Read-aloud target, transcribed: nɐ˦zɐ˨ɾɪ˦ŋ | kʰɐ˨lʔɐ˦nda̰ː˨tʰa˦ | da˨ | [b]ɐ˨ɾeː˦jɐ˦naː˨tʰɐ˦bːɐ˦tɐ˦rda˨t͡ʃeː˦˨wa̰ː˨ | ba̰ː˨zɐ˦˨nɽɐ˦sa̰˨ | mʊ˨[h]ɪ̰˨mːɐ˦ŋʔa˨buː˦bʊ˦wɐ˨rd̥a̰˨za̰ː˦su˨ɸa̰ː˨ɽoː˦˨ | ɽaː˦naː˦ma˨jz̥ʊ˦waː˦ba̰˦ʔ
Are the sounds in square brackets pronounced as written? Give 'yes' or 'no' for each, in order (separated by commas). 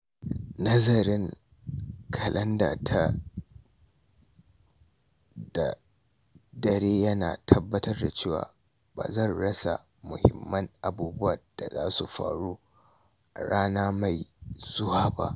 no, yes